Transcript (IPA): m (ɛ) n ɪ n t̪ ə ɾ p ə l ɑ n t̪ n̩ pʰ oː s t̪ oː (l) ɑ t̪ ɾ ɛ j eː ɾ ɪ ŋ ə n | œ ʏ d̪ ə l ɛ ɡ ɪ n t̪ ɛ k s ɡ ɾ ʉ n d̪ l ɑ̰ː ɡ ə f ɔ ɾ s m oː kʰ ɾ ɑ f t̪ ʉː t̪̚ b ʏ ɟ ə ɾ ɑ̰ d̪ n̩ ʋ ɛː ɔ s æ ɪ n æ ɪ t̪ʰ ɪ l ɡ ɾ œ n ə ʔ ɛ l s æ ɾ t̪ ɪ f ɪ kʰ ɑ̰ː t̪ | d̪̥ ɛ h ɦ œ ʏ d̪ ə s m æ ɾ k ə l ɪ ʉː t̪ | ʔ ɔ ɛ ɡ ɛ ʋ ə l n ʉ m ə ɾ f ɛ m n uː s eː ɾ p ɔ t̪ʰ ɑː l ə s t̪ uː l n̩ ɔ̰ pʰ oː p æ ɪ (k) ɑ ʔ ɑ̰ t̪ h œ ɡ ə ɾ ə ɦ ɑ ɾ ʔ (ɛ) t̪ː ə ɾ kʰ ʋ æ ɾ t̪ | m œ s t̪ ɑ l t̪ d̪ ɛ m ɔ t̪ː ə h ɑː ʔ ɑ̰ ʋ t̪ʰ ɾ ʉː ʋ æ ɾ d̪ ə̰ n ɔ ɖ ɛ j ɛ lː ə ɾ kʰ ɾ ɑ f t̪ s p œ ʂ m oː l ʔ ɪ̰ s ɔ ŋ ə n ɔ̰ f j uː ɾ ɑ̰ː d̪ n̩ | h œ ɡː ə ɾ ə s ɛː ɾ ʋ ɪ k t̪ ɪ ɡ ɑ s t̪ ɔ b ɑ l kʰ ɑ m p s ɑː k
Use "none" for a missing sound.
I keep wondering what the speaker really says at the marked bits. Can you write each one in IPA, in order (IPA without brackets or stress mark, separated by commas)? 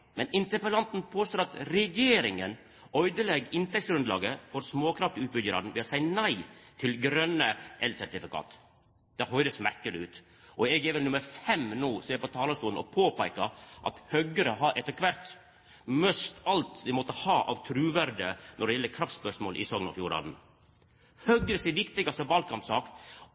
ɛ, ɾ, k, ɛ